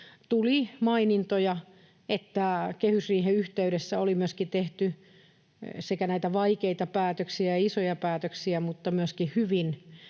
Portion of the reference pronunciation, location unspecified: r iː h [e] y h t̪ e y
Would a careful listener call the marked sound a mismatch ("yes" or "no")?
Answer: no